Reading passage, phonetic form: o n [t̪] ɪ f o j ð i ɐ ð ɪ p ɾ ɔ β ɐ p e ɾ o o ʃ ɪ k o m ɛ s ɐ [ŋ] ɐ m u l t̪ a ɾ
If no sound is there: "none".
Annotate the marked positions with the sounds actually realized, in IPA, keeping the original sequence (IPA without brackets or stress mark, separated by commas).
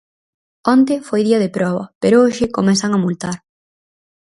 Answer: t̪, ŋ